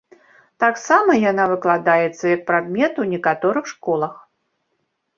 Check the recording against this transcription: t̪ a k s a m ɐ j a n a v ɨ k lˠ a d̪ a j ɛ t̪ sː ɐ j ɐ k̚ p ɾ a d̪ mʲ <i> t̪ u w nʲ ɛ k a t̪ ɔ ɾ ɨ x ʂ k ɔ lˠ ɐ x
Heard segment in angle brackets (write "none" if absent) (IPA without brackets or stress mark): ɛ